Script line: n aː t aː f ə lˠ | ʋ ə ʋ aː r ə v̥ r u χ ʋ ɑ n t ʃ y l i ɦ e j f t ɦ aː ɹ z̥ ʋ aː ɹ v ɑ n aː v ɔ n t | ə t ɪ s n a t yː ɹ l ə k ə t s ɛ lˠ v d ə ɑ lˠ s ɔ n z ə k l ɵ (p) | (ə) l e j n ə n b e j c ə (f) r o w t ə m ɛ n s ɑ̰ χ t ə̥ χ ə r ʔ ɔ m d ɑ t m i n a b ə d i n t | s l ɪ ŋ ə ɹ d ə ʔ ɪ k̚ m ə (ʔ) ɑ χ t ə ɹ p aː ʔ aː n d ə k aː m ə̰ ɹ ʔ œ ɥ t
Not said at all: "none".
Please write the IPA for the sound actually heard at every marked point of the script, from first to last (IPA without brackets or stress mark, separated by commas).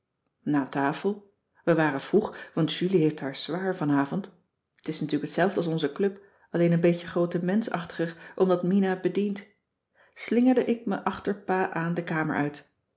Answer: p, ɑ, χ, ʔ